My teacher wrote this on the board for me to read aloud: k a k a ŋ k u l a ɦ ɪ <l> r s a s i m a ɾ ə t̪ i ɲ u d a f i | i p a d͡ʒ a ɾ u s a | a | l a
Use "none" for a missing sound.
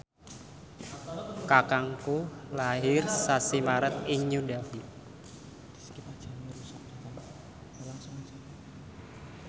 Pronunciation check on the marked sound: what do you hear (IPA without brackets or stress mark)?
none